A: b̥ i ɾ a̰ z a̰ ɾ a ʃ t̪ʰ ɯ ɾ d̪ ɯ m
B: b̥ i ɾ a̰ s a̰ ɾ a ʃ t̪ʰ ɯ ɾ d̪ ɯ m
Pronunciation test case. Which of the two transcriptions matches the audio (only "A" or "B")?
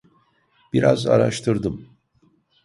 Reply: A